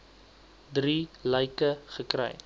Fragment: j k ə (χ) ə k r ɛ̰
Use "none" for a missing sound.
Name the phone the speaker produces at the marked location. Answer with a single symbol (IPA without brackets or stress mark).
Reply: χ